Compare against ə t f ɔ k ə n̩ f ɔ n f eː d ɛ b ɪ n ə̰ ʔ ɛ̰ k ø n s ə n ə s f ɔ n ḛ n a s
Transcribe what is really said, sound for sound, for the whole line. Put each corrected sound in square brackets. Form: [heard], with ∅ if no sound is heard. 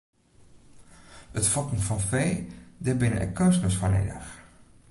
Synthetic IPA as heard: ə t f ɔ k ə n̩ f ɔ n f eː d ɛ b ɪ n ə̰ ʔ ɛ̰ k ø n s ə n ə s f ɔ n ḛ [d] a [x]